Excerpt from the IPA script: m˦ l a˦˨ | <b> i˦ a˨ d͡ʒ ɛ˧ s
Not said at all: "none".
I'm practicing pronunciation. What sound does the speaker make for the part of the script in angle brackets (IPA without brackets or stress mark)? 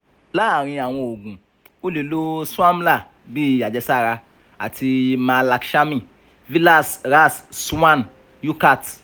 b